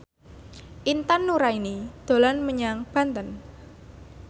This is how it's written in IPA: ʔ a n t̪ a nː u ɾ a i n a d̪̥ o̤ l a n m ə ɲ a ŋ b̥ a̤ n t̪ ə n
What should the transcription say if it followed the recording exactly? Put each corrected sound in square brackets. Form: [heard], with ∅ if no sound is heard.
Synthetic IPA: ʔ [i] n t̪ a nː u ɾ a i n [i] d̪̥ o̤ l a n m ə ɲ a ŋ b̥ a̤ n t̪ ə n